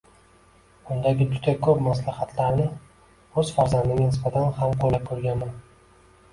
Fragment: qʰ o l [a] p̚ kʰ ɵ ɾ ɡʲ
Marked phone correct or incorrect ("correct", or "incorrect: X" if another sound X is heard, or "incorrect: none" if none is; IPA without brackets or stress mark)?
correct